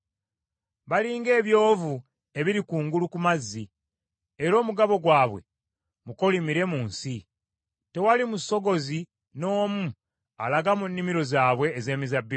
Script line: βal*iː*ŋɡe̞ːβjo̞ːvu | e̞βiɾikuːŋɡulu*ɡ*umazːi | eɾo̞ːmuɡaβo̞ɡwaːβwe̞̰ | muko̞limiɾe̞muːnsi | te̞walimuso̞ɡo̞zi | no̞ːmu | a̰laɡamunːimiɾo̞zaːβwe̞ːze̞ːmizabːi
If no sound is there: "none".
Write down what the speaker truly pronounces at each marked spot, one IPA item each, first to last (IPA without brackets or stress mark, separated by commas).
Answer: iː, k